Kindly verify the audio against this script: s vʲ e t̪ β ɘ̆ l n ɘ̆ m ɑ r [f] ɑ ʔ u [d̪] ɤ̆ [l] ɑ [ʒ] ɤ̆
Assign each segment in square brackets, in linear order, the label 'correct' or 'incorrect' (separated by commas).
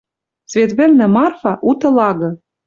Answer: correct, incorrect, correct, incorrect